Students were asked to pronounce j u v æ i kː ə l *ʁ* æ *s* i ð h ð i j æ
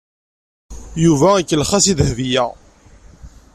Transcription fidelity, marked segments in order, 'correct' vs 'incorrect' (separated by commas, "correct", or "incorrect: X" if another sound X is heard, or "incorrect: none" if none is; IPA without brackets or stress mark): incorrect: χ, correct